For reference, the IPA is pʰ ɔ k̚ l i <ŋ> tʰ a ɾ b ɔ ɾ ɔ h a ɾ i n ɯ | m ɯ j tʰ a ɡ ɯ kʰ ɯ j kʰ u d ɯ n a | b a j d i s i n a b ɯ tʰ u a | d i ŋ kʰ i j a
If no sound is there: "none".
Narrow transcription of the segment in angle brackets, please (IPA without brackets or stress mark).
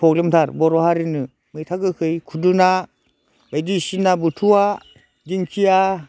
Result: m